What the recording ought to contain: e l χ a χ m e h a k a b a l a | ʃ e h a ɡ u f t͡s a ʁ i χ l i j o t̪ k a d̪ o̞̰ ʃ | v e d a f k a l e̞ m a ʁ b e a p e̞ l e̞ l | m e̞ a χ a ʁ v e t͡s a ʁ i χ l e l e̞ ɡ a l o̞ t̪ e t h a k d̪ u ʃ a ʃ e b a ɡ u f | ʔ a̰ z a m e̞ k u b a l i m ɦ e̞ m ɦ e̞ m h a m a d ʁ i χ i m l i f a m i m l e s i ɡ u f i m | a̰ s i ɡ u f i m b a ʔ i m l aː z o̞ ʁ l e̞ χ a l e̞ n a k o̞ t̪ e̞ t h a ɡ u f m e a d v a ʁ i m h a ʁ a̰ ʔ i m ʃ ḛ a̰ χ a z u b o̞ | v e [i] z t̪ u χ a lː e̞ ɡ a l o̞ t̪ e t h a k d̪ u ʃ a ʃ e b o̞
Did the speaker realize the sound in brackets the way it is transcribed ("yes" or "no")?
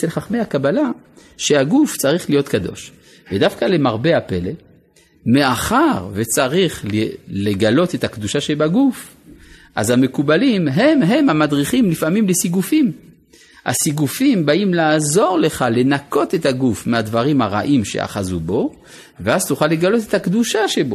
no